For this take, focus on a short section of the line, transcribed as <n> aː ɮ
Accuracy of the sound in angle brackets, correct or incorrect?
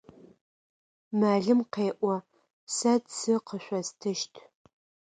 incorrect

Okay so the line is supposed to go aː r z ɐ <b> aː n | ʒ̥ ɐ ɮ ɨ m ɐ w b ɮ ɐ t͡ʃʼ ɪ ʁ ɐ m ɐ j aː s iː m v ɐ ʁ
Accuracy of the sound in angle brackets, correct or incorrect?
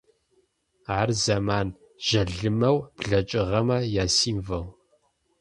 incorrect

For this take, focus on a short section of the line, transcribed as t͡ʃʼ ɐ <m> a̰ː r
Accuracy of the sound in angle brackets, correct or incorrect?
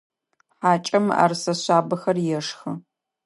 correct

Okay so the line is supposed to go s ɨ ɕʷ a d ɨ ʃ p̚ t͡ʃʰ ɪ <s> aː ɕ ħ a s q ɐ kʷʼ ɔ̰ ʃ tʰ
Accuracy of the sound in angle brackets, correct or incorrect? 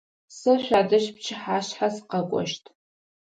incorrect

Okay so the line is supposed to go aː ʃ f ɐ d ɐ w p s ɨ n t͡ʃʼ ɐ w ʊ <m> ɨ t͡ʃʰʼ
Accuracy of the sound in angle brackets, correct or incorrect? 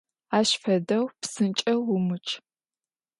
correct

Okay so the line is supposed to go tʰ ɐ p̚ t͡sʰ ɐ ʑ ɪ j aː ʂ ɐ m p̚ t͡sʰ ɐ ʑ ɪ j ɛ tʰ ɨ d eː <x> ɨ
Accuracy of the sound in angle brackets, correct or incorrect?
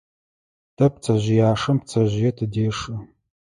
incorrect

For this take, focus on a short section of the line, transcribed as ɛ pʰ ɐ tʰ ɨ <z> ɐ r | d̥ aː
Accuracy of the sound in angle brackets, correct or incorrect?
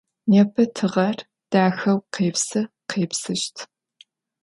incorrect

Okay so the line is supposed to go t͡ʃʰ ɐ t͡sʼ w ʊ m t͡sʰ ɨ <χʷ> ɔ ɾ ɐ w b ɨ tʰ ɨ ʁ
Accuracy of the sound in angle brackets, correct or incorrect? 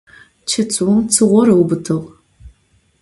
incorrect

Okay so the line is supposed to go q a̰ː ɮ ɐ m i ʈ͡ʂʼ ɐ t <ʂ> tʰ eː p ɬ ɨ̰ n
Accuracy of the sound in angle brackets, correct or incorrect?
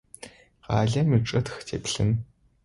incorrect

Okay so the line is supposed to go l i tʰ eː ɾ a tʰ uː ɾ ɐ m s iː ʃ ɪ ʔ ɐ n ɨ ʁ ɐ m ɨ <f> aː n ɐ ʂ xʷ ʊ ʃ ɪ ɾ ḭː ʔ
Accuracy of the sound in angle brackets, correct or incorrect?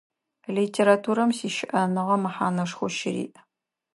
incorrect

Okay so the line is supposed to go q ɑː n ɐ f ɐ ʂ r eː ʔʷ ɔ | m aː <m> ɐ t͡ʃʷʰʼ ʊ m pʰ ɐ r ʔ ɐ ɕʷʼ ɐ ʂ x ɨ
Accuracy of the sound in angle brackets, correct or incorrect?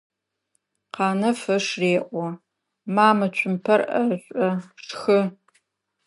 correct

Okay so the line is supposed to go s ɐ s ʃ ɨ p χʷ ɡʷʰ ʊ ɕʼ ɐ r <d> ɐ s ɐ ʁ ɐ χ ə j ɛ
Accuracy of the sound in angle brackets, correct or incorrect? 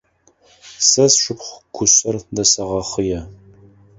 correct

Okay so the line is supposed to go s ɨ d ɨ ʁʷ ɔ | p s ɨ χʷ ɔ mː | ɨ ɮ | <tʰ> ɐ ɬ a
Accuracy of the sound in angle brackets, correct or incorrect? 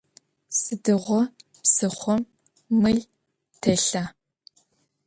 correct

